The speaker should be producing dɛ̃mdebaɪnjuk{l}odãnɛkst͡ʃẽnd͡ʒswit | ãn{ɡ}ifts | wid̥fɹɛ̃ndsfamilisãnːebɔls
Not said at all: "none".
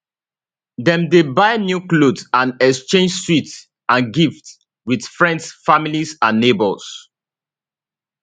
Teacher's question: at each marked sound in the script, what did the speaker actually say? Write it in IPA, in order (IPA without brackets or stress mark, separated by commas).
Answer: l, ɡ